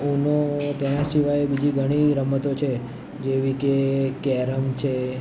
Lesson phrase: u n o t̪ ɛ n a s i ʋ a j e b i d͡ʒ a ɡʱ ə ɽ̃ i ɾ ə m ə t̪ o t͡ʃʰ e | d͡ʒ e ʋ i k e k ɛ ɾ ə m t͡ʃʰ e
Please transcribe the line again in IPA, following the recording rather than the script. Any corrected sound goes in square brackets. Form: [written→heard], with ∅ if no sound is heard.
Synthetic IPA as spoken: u n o t̪ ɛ n a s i ʋ a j e b i d͡ʒ [a→i] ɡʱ ə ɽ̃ i ɾ ə m ə t̪ o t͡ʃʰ e | d͡ʒ e ʋ i k e k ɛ ɾ ə m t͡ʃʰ e

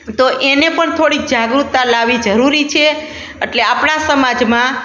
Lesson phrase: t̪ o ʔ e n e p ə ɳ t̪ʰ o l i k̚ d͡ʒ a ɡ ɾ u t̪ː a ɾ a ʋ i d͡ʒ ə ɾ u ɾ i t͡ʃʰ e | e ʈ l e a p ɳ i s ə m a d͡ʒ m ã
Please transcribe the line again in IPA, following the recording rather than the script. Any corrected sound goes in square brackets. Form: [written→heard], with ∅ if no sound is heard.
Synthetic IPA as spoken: t̪ o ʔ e n e p ə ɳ t̪ʰ o [l→ɽ] i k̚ d͡ʒ a ɡ ɾ u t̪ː a [ɾ→l] a ʋ i d͡ʒ ə ɾ u ɾ i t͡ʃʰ e | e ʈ l e a p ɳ [i→a] s ə m a d͡ʒ m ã

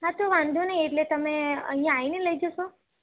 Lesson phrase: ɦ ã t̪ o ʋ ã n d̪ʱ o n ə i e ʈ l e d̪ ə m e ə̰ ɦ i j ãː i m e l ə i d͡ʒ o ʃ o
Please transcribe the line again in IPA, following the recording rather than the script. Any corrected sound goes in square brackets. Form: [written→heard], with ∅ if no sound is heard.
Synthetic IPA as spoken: ɦ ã t̪ o ʋ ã n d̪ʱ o n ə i e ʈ l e [d̪→t̪] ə m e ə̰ ɦ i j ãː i [m→n] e l ə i d͡ʒ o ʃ o

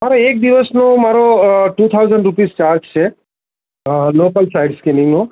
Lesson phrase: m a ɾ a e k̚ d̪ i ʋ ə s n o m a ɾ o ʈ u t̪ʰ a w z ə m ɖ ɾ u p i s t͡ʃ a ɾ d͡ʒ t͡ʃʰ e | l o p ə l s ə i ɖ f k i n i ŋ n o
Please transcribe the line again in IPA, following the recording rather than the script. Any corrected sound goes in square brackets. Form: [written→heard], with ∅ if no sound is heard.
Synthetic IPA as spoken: m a ɾ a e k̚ d̪ i ʋ ə s n o m a ɾ o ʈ u t̪ʰ a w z ə [m→ɳ] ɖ ɾ u p i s t͡ʃ a ɾ d͡ʒ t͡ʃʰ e | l o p ə l s [ə→a] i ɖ [f→s] k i n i ŋ n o

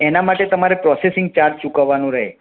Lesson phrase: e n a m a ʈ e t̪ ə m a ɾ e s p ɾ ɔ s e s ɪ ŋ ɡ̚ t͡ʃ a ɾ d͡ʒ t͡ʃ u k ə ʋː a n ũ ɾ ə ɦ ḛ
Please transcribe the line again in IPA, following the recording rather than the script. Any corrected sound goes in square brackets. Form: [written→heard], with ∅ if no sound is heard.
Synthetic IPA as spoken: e n a m a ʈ e t̪ ə m a ɾ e [s→∅] p ɾ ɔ s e s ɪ ŋ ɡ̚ t͡ʃ a ɾ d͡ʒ t͡ʃ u k ə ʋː a n ũ ɾ ə ɦ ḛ

